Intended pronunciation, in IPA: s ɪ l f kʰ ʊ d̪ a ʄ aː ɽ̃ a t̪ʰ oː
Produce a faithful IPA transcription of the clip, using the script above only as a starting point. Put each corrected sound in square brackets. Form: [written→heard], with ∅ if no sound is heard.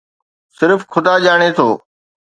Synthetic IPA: s ɪ [l→ɾ] f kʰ ʊ d̪ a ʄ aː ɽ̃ [a→e] t̪ʰ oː